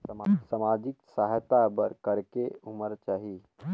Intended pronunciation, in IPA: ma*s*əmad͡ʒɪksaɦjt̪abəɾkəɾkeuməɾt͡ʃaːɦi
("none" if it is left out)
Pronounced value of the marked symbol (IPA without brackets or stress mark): s